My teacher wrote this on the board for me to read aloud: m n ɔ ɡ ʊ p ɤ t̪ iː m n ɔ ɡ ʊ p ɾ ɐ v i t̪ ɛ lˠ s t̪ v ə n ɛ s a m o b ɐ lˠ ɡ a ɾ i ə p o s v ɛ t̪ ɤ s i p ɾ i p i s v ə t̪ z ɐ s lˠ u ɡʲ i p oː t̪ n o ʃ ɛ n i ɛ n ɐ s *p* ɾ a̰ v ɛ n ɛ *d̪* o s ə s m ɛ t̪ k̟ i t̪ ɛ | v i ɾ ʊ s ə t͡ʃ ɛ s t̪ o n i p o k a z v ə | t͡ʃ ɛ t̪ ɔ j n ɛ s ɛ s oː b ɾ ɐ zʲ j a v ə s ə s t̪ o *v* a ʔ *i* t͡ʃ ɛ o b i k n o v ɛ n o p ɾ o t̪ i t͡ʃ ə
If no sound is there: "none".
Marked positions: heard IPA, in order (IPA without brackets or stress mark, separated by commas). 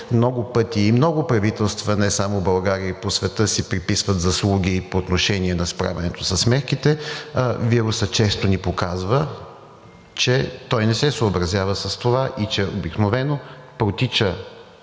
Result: p, t̪, v, i